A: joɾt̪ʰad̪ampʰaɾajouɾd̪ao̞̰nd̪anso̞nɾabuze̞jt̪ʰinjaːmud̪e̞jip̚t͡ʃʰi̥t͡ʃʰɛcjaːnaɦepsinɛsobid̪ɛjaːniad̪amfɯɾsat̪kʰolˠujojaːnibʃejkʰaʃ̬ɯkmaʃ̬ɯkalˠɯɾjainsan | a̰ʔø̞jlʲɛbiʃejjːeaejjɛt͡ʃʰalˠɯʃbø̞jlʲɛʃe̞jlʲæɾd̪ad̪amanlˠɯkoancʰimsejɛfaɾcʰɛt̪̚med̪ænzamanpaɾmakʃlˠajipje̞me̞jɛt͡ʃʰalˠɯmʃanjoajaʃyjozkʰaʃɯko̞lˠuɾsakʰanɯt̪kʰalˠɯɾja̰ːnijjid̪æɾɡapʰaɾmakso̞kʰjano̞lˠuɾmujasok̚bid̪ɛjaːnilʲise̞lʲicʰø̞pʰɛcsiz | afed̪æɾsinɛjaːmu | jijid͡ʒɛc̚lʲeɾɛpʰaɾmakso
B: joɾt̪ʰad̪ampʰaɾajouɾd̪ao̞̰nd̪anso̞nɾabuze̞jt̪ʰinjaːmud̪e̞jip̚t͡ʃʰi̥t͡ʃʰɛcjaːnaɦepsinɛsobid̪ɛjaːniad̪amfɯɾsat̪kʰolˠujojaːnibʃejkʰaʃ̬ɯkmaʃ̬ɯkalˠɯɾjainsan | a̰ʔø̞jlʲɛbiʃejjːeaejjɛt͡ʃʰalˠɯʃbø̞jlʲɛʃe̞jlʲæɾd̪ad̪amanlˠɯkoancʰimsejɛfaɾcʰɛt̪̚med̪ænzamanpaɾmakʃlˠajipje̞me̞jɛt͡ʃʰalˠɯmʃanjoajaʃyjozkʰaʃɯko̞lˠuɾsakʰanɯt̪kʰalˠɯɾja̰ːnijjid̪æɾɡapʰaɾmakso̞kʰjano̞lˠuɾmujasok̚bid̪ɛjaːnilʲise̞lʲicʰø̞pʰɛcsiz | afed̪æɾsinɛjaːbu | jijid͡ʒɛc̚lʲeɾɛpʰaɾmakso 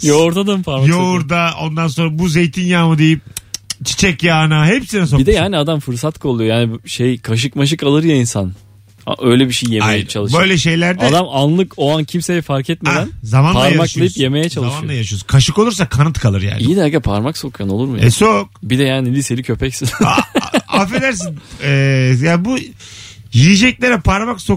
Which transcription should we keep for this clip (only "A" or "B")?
B